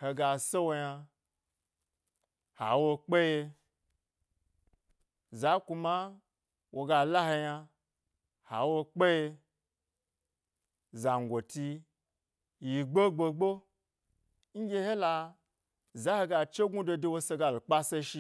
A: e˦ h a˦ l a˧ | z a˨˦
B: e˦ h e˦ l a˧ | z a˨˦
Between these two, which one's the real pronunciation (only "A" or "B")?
B